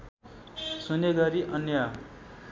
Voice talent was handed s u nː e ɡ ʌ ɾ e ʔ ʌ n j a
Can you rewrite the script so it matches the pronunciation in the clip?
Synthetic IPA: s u n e ɡ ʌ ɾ i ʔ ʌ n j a